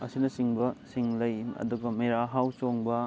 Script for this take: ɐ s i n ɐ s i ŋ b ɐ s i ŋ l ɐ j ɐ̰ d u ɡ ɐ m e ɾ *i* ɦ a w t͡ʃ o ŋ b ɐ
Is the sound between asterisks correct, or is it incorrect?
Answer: incorrect